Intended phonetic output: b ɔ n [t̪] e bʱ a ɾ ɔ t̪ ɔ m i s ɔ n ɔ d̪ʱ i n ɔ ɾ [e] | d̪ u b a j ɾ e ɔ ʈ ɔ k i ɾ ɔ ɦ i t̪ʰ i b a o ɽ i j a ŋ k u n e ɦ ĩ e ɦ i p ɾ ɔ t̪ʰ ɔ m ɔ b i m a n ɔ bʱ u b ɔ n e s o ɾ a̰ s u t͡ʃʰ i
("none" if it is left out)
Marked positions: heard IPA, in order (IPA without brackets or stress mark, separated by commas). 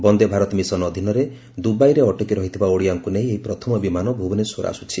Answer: d̪, e